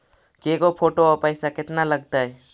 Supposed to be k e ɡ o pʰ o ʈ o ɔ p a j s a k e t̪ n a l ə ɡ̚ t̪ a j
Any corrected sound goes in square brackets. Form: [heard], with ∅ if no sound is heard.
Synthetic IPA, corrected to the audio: k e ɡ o pʰ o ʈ o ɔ p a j s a k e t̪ n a l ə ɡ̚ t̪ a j

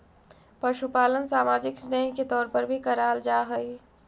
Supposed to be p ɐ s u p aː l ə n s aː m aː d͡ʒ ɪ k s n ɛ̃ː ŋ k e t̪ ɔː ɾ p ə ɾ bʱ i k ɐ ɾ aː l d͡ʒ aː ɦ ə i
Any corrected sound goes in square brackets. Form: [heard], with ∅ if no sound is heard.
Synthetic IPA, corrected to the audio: p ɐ [ʃ] u p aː l ə n s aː m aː d͡ʒ ɪ k s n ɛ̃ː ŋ k e t̪ ɔː ɾ p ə ɾ bʱ i k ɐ ɾ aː l d͡ʒ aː ɦ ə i

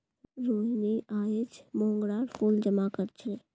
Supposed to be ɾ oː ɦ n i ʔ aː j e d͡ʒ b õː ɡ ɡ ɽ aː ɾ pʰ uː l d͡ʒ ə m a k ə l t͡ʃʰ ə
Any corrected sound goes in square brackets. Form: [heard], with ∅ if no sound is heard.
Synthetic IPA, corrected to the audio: ɾ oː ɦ n i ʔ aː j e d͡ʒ [m] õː [ŋ] ɡ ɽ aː ɾ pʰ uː l d͡ʒ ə m a k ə [ɾ] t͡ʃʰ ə

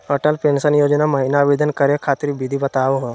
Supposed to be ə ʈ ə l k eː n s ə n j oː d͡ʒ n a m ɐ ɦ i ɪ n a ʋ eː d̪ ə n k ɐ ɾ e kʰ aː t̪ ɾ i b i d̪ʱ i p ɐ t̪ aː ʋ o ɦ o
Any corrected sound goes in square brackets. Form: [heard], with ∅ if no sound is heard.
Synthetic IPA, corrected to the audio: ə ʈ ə l [p] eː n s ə n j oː d͡ʒ n a m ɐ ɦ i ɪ n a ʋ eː d̪ ə n k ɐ ɾ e kʰ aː t̪ ɾ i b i d̪ʱ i [b] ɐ t̪ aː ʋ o ɦ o

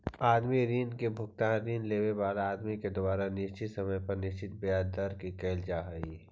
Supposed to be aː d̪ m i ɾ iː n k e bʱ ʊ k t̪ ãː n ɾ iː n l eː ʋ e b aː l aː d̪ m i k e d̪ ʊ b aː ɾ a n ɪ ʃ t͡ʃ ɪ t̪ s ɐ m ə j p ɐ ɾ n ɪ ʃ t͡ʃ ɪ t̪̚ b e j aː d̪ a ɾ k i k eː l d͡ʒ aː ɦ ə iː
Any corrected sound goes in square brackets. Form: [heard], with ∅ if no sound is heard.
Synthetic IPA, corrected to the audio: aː d̪ m i ɾ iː n k e bʱ ʊ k t̪ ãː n ɾ iː n l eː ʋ e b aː l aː d̪ m i k e d̪ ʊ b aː ɾ a n ɪ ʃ t͡ʃ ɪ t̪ s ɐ m ə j p ɐ ɾ n ɪ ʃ t͡ʃ ɪ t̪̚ b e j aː d̪ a ɾ k i k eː l d͡ʒ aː ɦ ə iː

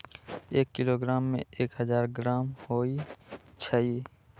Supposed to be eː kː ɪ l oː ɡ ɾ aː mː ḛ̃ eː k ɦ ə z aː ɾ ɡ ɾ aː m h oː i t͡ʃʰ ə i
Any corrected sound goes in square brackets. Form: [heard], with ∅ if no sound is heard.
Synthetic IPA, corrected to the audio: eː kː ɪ l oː ɡ ɾ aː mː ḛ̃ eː k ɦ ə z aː ɾ ɡ ɾ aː m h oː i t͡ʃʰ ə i

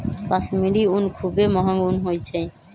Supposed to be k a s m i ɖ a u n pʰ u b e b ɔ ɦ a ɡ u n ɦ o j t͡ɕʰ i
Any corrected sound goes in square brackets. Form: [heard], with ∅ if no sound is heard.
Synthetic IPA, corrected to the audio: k a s m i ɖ [i] u n [kʰ] u b e [m] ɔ ɦ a ɡ u n ɦ o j t͡ɕʰ [e]

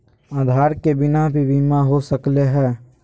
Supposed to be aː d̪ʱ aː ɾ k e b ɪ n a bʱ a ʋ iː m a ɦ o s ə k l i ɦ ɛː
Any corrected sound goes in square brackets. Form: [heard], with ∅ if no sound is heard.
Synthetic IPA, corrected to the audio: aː d̪ʱ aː ɾ k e b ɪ n a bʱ [i] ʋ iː m a ɦ o s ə k l [e] ɦ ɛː

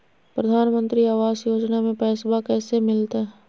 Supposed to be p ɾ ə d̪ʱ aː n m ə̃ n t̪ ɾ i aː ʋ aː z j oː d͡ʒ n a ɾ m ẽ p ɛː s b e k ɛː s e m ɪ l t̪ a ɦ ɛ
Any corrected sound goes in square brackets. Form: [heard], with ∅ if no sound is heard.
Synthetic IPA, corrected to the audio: p ɾ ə d̪ʱ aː n m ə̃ n t̪ ɾ i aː ʋ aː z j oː d͡ʒ n a [∅] m ẽ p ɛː s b [a] k ɛː s e m ɪ l t̪ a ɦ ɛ

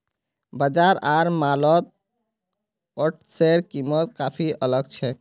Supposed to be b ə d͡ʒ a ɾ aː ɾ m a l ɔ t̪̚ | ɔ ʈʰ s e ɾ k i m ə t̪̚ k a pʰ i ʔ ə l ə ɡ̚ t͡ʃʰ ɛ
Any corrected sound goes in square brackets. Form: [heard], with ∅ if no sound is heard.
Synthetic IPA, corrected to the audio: b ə d͡ʒ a ɾ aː ɾ m a l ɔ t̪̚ | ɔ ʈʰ s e ɾ k i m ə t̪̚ k a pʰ i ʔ ə l ə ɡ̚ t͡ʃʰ ɛ

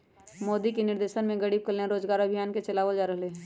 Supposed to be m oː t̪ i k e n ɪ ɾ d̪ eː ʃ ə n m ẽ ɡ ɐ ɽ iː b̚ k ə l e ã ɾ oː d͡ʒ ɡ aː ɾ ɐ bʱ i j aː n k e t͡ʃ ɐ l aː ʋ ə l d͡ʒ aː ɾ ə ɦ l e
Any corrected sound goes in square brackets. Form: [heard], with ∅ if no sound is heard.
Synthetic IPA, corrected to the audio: m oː [d̪] i k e n ɪ ɾ d̪ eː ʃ ə n m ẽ ɡ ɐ ɽ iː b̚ k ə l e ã ɾ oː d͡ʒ ɡ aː ɾ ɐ bʱ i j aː n k e t͡ʃ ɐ l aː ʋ ə l d͡ʒ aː ɾ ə ɦ l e

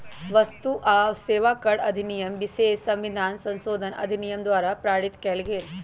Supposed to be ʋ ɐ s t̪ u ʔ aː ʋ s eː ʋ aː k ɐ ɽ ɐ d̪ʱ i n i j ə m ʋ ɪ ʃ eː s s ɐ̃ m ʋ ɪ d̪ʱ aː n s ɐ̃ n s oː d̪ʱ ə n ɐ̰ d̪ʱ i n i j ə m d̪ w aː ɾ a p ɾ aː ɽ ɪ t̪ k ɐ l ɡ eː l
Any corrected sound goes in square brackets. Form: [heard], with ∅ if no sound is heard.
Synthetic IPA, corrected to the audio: ʋ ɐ s t̪ u ʔ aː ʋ s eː ʋ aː k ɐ ɽ ɐ d̪ʱ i n i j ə m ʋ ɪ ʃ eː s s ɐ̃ m ʋ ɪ d̪ʱ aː n s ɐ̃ n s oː d̪ʱ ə n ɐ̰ d̪ʱ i n i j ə m d̪ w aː ɾ a p ɾ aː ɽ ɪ t̪ k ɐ l ɡ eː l

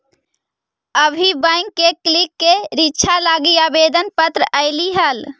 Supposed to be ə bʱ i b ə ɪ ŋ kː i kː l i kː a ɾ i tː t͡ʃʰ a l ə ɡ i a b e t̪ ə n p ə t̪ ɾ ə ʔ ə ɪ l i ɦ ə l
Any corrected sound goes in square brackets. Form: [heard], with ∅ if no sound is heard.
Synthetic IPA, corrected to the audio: ə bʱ i b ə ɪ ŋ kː [e] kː l i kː [e] ɾ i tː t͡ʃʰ a l [a] ɡ i a b e [d̪] ə n p ə t̪ ɾ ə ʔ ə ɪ l i ɦ ə l

